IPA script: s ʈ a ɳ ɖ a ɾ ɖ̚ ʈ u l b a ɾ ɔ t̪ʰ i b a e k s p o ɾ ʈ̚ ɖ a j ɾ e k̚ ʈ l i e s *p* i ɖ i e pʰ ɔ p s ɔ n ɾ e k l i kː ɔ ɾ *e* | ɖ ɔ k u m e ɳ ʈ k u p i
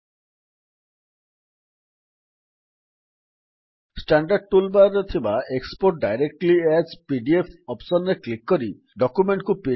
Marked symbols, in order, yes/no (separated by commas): yes, no